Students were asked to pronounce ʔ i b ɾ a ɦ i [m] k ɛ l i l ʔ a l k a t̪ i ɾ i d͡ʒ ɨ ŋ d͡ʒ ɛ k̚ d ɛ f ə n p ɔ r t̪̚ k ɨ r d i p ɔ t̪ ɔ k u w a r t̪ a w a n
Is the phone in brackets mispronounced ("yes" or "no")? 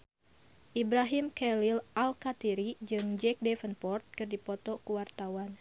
no